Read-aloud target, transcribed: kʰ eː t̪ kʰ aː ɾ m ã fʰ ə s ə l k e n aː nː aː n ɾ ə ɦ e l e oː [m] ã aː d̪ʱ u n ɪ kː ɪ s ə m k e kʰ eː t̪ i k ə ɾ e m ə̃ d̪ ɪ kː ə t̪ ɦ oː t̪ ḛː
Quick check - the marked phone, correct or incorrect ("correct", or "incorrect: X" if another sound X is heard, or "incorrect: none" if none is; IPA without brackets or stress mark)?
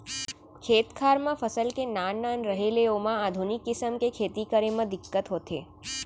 correct